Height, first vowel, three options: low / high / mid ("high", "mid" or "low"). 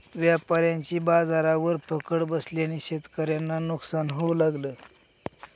low